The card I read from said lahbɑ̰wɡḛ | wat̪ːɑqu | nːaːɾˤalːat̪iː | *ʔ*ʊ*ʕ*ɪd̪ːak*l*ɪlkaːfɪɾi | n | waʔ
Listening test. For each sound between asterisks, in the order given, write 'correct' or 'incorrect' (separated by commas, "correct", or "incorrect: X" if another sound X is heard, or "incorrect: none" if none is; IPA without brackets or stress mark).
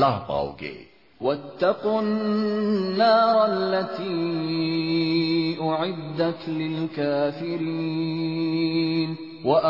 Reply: correct, correct, correct